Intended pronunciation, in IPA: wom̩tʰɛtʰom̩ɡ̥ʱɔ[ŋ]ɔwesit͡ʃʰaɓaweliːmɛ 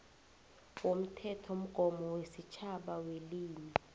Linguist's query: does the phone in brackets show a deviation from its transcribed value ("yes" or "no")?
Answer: yes